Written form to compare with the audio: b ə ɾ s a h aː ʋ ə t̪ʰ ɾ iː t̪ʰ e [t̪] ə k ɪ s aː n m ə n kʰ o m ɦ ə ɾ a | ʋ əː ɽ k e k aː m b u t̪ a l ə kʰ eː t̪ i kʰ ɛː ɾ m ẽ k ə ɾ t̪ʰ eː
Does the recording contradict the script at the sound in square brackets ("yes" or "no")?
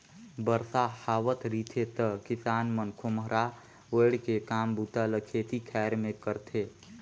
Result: no